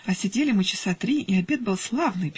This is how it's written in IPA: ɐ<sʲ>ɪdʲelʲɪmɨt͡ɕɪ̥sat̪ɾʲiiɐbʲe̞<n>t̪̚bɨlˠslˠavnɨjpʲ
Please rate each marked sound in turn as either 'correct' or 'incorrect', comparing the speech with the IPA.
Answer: correct, incorrect: none

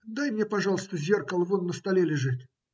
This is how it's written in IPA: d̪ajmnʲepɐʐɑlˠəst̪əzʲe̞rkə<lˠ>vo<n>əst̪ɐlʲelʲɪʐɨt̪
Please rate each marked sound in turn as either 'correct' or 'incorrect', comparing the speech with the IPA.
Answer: correct, incorrect: nː

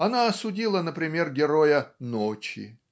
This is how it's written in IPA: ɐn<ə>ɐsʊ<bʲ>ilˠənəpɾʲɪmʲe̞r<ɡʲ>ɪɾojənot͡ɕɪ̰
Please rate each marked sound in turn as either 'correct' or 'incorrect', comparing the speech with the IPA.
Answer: incorrect: a, incorrect: dʲ, correct

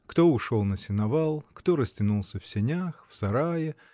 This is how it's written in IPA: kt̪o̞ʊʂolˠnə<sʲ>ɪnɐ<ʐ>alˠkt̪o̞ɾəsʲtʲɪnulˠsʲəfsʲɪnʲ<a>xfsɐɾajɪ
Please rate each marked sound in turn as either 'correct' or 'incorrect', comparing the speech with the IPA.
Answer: correct, incorrect: v, correct

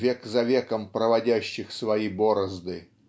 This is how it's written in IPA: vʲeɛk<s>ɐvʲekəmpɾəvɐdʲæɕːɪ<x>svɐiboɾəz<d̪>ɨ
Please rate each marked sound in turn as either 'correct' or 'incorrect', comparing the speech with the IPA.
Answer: incorrect: z, correct, correct

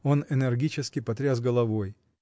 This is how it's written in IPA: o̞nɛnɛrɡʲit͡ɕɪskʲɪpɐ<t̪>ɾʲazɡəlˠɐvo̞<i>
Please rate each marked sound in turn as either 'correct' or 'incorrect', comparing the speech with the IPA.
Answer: correct, incorrect: j

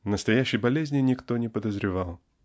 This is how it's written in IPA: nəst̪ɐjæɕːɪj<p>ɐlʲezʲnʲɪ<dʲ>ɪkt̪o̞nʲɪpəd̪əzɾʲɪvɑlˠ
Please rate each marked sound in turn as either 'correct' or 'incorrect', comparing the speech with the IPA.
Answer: incorrect: b, incorrect: nʲ

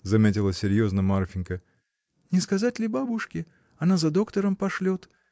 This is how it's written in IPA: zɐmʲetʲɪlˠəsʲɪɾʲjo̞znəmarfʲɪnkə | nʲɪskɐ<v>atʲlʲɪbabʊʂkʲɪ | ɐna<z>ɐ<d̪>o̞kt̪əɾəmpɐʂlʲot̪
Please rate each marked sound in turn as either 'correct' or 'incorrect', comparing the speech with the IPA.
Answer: incorrect: z, correct, correct

